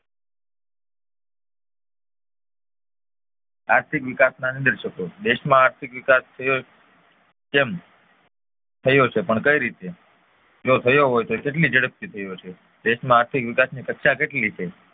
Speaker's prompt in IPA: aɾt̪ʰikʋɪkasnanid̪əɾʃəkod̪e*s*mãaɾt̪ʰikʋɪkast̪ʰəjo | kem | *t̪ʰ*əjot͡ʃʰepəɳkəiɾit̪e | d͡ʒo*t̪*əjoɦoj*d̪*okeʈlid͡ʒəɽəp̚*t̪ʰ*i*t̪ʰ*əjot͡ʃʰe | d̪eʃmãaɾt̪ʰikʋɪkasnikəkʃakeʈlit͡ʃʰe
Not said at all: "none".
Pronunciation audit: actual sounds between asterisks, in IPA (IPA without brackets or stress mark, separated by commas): ʃ, t̪ʰ, t̪ʰ, t̪, t̪, t̪ʰ